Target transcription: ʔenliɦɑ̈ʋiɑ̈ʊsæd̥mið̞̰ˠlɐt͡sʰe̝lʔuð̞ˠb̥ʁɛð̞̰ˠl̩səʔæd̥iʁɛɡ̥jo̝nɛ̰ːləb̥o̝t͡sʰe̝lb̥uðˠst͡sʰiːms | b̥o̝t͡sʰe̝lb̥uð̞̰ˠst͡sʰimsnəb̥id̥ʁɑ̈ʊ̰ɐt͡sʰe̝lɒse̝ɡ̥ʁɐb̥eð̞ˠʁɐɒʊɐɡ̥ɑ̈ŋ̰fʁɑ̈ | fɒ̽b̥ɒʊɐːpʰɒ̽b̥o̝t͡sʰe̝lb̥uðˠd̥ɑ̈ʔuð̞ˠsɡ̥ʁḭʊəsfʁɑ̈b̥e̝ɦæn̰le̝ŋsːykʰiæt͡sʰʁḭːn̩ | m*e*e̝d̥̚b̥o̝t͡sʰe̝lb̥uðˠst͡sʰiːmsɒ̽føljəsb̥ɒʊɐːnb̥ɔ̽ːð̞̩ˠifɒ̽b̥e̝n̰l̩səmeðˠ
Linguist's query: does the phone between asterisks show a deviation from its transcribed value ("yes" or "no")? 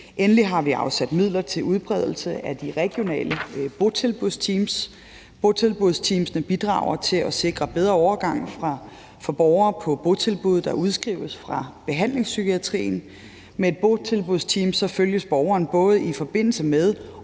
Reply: no